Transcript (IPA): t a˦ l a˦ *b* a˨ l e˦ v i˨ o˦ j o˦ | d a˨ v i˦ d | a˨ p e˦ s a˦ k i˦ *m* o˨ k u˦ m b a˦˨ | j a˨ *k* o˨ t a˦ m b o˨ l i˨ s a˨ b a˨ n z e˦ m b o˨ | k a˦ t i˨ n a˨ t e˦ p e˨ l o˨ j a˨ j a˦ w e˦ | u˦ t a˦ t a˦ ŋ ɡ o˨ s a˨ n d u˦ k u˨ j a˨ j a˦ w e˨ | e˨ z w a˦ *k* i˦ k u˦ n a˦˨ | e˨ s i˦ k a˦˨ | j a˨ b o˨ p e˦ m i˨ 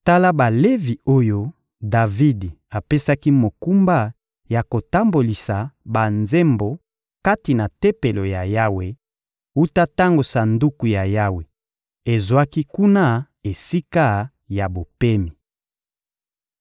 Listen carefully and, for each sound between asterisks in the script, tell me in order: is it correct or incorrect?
correct, correct, correct, correct

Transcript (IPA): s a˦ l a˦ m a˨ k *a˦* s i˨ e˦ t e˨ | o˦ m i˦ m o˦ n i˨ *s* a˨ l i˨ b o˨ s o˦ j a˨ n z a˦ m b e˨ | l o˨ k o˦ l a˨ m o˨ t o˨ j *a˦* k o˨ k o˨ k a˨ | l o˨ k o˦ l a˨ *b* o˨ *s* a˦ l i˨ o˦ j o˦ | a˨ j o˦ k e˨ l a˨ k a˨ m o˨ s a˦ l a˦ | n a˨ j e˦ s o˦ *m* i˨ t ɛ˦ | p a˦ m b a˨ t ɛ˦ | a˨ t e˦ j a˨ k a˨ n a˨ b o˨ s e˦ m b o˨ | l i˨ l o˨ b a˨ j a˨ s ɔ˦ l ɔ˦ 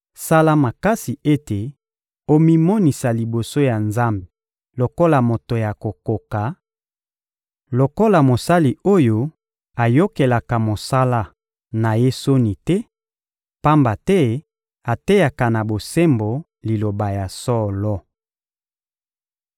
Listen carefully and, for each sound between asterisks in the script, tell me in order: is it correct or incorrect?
correct, correct, incorrect: a˨, incorrect: m, correct, incorrect: n

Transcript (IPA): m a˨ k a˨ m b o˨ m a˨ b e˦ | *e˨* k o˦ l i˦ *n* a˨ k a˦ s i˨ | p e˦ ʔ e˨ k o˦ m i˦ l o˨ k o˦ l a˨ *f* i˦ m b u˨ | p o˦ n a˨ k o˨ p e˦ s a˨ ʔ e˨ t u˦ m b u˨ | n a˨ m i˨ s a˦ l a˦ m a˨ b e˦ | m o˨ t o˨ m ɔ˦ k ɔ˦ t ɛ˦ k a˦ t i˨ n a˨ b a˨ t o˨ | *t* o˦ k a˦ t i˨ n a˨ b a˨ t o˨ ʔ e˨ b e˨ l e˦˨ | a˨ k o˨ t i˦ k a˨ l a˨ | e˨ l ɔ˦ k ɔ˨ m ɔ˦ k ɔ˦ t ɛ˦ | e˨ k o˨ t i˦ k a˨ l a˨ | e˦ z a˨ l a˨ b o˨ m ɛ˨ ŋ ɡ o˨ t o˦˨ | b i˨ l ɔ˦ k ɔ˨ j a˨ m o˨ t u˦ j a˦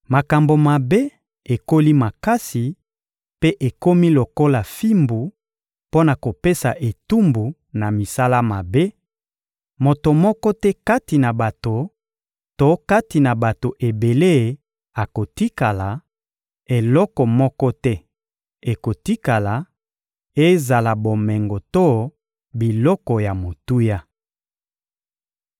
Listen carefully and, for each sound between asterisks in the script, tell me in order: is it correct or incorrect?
correct, incorrect: m, correct, correct

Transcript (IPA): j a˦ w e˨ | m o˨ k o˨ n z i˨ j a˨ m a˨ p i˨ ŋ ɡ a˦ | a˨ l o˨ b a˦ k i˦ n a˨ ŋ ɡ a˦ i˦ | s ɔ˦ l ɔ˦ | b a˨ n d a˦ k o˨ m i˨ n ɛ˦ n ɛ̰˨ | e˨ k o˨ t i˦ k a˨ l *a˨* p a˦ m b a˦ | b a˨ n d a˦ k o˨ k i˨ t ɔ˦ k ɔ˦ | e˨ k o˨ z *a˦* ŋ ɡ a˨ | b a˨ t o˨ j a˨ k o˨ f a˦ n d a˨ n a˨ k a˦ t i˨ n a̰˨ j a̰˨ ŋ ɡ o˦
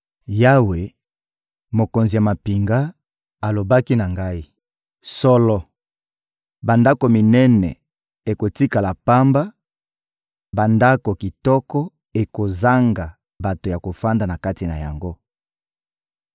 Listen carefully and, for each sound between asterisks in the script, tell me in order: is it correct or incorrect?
correct, correct

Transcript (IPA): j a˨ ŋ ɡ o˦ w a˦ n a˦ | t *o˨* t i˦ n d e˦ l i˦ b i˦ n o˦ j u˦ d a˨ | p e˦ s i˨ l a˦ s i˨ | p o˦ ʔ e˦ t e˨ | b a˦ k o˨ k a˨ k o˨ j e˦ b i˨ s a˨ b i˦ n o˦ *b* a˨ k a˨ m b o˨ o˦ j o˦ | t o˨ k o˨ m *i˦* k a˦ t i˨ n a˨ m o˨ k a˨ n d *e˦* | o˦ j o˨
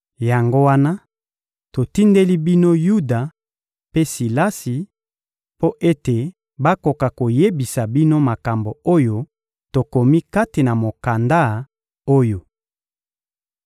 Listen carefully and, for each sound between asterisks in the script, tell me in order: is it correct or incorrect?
correct, incorrect: m, correct, incorrect: a˦

